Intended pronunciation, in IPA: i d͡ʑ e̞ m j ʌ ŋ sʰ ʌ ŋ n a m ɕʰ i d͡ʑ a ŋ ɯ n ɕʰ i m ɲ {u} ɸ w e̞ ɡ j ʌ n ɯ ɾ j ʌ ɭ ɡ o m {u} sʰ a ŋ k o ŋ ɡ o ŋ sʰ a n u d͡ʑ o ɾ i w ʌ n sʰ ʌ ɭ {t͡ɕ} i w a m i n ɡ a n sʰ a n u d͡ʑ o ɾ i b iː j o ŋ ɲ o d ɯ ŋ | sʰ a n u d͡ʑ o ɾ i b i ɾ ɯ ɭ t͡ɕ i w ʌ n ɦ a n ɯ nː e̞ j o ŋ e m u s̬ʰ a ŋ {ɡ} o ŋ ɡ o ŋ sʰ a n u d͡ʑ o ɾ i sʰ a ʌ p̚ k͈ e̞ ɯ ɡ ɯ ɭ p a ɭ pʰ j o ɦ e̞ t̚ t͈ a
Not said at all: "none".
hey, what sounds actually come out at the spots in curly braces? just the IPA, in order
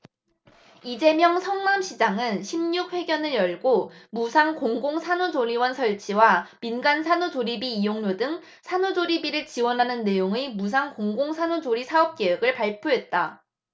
u, u, t͡ɕʰ, k

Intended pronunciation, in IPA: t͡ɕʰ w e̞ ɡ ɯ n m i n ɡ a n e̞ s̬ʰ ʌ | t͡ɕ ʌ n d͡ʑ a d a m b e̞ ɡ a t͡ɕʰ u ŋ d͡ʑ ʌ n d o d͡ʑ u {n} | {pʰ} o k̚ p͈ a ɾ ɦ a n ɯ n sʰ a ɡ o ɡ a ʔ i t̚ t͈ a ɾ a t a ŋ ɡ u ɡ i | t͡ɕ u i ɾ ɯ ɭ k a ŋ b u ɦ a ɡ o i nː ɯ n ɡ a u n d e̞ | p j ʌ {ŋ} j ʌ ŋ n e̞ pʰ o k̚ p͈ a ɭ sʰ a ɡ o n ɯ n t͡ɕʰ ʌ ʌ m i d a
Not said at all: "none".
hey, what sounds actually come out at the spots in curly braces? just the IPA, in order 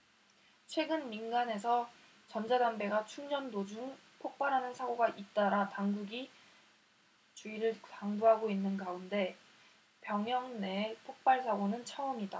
ŋ, pʰ, ŋ

